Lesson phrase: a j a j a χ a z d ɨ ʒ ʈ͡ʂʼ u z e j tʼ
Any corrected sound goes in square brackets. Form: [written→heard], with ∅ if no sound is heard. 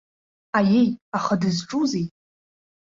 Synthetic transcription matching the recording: a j [a→e] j a χ a [z→∅] d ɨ [ʒ→z] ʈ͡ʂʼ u z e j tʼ